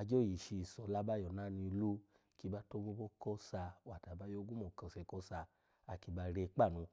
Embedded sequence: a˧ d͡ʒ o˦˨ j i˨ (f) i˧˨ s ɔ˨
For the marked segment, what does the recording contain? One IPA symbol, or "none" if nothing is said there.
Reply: ʃ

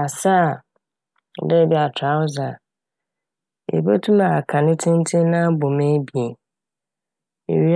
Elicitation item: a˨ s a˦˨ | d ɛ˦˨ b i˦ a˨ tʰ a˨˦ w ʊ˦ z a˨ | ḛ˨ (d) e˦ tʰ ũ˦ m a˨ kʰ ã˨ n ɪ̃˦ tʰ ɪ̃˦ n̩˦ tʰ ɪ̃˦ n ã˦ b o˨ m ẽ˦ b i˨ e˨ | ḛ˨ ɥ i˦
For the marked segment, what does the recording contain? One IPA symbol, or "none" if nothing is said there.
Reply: b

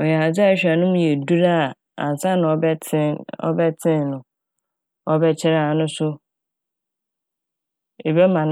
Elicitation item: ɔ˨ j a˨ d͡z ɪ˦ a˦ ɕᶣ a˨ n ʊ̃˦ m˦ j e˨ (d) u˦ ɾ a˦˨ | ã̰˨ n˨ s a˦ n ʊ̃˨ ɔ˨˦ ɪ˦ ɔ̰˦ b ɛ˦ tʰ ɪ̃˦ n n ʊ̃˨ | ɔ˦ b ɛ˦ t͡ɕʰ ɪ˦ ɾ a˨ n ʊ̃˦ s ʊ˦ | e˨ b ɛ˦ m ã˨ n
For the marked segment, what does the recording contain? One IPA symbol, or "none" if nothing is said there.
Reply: d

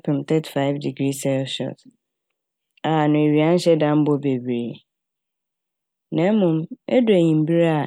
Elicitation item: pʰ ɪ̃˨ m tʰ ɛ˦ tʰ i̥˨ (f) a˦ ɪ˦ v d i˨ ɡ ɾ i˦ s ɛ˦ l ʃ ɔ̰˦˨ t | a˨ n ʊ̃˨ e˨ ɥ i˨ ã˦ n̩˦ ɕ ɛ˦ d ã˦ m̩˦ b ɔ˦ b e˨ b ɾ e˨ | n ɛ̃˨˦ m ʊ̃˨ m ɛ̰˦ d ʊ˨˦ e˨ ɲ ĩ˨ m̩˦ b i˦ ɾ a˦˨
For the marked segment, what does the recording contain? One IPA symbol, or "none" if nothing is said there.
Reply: f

